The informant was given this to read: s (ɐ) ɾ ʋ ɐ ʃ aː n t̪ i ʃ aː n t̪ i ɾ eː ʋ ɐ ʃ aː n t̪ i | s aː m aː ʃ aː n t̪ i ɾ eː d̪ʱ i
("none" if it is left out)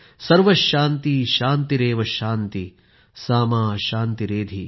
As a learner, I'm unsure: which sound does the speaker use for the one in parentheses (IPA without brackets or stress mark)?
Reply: ɐ